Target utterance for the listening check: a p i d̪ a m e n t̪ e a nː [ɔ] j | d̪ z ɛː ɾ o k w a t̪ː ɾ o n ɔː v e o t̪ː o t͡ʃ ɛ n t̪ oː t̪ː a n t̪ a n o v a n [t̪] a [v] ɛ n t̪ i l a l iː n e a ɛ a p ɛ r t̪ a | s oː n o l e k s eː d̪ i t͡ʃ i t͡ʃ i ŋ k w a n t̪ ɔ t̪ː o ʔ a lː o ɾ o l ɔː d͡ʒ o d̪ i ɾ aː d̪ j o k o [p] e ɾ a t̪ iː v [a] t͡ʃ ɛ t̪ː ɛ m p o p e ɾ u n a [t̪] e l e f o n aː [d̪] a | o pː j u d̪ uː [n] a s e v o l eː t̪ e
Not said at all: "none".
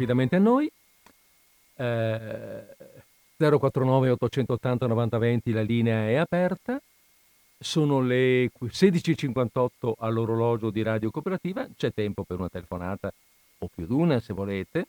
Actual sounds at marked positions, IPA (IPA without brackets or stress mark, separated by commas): o, t̪, v, p, a, t̪, t̪, n